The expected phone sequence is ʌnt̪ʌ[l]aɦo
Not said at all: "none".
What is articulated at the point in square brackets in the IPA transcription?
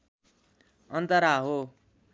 ɾ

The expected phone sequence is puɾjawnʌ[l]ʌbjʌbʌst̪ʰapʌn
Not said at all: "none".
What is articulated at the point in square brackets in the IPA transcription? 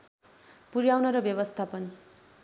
ɾ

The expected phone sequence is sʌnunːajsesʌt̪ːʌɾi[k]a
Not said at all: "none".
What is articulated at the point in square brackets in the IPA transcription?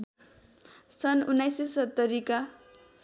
k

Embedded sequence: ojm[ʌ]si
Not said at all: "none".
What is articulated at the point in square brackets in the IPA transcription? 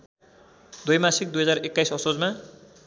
a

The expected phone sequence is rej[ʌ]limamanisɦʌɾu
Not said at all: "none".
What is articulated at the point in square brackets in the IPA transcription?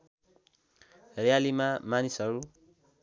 a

